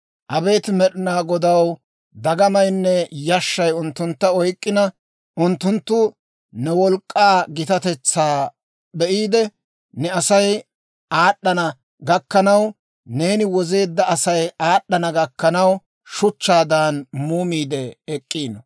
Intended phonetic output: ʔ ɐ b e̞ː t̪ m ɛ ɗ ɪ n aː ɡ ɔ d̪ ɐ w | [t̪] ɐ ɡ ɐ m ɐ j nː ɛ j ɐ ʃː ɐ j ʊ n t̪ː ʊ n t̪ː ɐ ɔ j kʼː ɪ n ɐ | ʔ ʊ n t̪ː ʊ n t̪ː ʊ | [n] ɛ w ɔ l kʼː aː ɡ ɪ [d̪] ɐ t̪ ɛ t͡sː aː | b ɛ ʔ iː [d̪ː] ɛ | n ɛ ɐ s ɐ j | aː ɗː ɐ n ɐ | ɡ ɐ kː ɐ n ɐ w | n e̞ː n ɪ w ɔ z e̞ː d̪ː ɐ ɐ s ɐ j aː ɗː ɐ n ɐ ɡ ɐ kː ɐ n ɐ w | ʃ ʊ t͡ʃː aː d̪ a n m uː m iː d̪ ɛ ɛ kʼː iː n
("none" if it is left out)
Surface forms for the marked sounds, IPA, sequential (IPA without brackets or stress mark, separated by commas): d̪, n, t̪, d̪